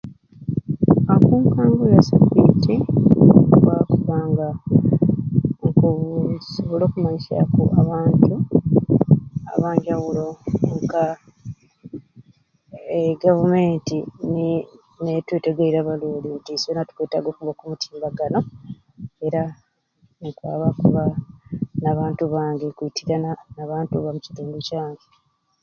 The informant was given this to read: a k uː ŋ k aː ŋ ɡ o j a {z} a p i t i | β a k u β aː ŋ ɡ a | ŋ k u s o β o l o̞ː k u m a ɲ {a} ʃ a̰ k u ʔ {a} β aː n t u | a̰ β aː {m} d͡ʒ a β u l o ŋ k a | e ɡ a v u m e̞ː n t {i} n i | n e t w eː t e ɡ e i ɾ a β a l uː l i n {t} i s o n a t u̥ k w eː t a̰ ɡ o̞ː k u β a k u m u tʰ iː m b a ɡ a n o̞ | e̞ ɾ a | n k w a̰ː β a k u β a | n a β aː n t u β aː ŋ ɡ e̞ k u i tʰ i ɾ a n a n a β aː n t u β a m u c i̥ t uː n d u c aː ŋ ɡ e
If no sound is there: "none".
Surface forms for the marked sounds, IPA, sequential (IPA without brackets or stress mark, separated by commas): s, i, a, ɲ, i, t